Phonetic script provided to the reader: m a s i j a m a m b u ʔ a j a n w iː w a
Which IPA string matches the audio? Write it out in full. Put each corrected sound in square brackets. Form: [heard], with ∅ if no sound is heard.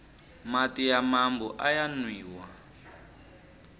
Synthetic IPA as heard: m a [t] i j a m a m b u ʔ a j a n w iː w a